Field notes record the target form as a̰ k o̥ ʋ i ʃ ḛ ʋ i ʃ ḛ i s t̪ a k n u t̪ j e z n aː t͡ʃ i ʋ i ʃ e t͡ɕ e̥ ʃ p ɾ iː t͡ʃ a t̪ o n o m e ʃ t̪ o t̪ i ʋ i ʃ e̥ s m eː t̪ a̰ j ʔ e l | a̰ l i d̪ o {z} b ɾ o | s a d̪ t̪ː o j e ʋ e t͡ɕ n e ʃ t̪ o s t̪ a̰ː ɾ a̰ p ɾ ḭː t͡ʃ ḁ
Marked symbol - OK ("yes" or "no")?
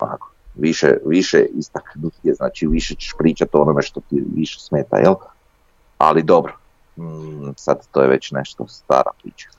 no